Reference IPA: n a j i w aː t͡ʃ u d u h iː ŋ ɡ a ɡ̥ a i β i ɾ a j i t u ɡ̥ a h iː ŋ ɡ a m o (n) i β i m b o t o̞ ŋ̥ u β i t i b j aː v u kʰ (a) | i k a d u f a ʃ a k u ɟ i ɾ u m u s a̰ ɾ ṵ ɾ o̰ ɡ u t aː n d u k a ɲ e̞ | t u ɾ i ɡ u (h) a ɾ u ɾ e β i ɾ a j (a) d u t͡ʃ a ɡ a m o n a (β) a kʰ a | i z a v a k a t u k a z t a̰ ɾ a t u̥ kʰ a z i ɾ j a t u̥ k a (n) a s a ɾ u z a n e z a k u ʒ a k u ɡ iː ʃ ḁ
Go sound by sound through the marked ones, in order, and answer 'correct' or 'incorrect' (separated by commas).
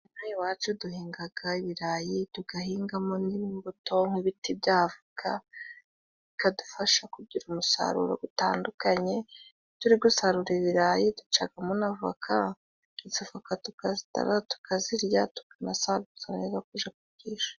correct, correct, incorrect, incorrect, incorrect, correct